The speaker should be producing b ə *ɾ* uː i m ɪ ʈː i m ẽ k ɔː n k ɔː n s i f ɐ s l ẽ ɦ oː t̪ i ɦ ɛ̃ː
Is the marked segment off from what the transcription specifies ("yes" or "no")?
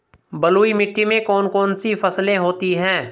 yes